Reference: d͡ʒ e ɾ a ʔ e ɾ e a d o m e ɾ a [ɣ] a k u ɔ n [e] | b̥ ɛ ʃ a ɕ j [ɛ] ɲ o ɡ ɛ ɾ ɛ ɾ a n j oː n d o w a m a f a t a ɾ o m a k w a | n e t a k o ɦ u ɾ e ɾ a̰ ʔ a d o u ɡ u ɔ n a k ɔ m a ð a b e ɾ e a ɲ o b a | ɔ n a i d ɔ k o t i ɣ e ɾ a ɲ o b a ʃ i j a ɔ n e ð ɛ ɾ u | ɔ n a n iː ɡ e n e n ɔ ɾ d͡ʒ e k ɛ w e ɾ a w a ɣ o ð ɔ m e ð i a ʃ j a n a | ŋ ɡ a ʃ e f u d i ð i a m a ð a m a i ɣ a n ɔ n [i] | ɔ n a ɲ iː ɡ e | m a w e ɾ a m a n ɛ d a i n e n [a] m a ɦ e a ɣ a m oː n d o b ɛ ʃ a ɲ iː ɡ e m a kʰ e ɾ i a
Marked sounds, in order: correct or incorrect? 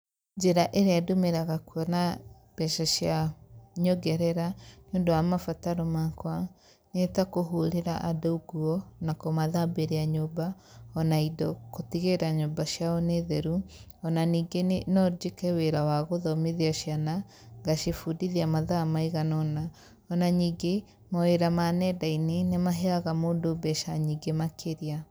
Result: correct, incorrect: a, incorrect: a, incorrect: a, incorrect: e

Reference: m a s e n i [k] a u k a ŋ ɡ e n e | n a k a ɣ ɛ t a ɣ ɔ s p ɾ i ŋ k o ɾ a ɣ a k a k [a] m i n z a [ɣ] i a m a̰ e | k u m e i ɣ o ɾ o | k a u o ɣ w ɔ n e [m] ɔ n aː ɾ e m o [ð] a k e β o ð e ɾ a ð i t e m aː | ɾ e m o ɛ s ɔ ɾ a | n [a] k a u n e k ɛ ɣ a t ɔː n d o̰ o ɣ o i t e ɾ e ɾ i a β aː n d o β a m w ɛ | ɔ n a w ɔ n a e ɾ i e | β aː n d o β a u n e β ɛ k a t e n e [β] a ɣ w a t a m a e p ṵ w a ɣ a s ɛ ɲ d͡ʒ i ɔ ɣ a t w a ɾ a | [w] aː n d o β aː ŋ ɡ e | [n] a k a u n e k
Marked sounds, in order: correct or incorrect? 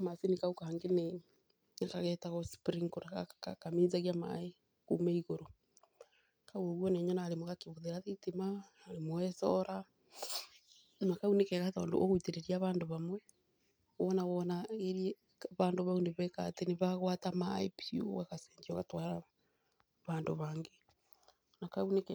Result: correct, correct, correct, incorrect: ɲ, incorrect: ɣ, correct, correct, incorrect: β, correct

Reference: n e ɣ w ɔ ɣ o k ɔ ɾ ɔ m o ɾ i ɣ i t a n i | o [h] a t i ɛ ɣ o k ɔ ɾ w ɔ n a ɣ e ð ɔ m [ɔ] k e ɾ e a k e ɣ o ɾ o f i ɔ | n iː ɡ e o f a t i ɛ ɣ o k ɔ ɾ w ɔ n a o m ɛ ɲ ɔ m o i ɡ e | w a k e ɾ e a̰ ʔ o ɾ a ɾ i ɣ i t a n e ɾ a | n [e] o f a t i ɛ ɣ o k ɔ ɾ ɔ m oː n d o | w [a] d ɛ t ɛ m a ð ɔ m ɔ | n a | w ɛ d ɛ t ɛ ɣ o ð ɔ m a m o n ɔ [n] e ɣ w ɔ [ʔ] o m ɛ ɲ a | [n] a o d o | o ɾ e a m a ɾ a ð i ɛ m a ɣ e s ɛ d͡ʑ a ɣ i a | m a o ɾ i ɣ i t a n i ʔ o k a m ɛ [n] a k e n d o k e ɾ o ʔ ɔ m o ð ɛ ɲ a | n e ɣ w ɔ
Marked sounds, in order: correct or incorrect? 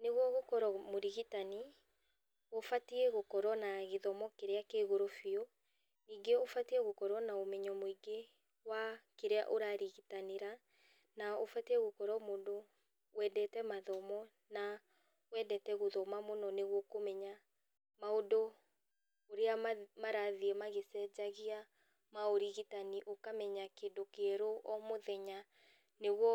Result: incorrect: f, correct, incorrect: a, incorrect: ɛ, correct, incorrect: k, incorrect: m, incorrect: ɲ

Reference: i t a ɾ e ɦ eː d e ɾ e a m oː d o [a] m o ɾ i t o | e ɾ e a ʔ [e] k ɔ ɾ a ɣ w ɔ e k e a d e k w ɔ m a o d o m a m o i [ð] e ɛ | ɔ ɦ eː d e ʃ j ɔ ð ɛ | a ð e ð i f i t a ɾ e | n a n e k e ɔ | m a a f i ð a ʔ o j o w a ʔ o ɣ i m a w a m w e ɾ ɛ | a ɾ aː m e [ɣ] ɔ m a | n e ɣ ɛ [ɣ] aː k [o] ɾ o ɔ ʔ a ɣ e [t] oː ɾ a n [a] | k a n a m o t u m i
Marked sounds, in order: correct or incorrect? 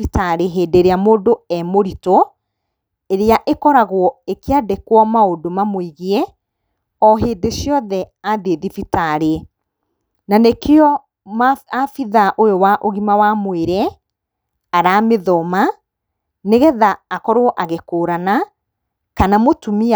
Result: incorrect: ɛ, correct, incorrect: ɣ, incorrect: ð, incorrect: ð, incorrect: ɔ, incorrect: k, correct

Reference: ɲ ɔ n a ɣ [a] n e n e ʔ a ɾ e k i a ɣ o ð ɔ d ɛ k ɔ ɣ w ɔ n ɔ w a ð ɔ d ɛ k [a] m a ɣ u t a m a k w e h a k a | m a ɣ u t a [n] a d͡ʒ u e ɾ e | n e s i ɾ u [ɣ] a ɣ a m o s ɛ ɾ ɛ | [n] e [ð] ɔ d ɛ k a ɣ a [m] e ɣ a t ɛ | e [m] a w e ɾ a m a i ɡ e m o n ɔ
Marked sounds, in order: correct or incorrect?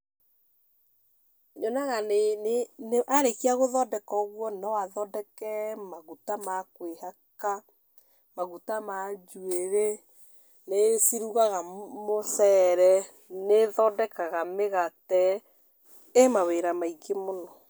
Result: correct, incorrect: ɛ, incorrect: m, correct, correct, correct, correct, correct

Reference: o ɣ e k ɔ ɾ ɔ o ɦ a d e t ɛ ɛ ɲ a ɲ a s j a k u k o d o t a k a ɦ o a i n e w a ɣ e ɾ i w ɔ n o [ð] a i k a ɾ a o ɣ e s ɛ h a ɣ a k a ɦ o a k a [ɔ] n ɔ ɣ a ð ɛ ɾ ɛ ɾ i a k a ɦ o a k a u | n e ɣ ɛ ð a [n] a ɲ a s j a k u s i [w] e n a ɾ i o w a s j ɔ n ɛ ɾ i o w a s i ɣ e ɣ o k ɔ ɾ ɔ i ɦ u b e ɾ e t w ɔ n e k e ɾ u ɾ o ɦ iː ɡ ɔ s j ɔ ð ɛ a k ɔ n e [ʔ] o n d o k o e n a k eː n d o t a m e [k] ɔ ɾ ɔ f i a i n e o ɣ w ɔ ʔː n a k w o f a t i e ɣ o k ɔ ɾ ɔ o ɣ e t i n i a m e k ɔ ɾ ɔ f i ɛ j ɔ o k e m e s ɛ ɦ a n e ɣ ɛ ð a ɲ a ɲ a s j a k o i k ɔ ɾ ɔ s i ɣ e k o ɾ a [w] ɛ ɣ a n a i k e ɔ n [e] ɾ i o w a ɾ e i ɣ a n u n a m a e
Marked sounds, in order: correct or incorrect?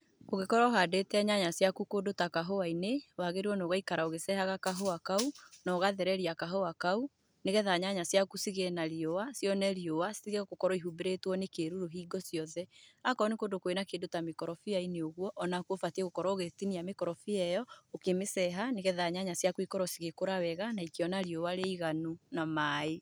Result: incorrect: ɣ, incorrect: u, incorrect: ɲ, incorrect: ɣ, incorrect: k, correct, correct, incorrect: a

